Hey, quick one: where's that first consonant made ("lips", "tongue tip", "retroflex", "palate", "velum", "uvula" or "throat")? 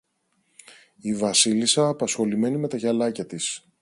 lips